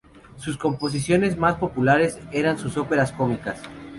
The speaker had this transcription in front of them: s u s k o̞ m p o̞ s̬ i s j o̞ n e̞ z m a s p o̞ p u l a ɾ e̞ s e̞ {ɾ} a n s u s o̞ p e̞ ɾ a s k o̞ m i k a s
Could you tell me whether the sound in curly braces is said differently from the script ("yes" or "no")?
no